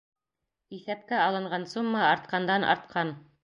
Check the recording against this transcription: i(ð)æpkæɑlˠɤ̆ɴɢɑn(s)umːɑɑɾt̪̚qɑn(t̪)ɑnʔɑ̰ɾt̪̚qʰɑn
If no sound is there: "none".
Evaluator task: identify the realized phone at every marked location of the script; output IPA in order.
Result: θ, s, d̪

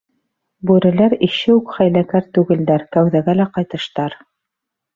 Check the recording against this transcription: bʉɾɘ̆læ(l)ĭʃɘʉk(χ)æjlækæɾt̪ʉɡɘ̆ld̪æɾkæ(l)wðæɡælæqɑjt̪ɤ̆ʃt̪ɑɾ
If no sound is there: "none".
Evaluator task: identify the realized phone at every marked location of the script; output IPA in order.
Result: ɾ, χ, none

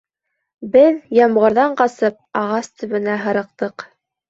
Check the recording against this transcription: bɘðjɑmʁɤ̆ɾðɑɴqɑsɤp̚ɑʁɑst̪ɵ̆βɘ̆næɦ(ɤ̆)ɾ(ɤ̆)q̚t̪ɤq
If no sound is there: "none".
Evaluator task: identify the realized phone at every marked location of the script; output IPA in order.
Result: ɤ̆, ɤ̆

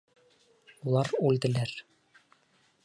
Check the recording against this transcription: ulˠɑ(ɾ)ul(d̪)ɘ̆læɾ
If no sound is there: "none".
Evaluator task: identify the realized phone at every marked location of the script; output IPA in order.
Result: ɾ, d̪

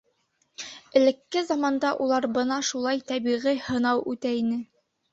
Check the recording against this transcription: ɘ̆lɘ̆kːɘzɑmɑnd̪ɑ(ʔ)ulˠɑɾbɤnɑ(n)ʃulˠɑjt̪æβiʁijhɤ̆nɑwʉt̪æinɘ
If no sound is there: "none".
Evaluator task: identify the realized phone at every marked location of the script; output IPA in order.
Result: ʔ, none

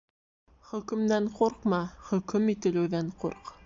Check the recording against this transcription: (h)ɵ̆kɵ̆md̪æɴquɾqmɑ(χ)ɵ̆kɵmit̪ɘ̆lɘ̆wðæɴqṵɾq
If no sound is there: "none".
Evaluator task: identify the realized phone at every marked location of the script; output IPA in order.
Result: χ, χ

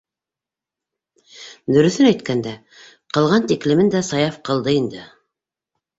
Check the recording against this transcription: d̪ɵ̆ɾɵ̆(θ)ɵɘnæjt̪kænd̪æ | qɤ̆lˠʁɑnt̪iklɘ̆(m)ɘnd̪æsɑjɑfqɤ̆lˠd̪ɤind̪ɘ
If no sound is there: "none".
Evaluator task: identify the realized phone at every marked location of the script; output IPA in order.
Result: θ, m

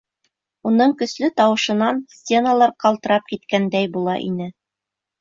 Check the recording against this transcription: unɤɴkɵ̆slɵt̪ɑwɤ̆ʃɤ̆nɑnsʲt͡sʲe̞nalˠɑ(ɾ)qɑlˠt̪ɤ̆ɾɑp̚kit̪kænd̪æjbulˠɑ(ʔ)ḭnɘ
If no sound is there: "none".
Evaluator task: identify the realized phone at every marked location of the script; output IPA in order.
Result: ɾ, ʔ

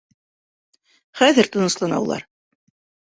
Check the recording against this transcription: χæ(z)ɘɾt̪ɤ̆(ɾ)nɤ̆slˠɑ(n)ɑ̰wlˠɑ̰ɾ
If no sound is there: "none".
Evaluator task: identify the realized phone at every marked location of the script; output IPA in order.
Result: ð, none, n

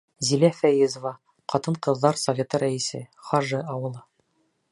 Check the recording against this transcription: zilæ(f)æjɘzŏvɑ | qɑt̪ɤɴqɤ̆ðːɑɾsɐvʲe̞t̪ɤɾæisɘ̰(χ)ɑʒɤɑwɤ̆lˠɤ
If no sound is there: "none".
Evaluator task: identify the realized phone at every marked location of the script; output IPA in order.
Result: f, χ

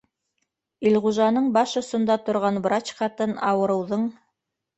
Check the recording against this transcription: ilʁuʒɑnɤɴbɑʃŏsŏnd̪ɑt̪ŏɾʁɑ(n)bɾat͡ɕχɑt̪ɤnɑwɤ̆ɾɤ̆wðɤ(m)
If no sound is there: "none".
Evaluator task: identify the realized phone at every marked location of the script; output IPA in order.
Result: n, ɴ

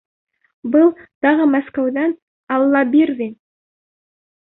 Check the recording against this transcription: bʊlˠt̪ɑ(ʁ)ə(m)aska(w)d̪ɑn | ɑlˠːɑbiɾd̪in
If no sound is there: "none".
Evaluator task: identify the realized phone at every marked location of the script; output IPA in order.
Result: ʁ, m, w

